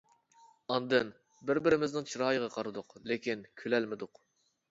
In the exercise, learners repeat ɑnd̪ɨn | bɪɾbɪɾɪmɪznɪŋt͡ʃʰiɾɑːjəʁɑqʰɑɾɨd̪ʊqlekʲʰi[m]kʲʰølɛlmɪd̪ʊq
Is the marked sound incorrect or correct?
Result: incorrect